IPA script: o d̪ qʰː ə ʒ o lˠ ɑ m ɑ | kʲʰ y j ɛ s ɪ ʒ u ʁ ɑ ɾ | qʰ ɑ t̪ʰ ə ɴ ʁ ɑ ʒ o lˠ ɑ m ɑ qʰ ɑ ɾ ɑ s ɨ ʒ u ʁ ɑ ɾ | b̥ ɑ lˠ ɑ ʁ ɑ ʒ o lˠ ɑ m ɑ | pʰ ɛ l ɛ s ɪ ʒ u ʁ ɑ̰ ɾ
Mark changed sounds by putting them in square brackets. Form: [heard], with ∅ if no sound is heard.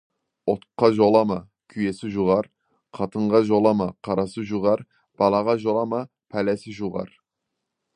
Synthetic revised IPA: o [t̪] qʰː [ɑ] ʒ o lˠ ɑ m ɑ | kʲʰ y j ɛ s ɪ ʒ u ʁ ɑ ɾ | qʰ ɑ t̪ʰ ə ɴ ʁ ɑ ʒ o lˠ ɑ m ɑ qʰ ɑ ɾ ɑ s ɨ ʒ u ʁ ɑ ɾ | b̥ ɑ lˠ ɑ ʁ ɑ ʒ o lˠ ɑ m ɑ | pʰ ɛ l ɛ s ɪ ʒ u ʁ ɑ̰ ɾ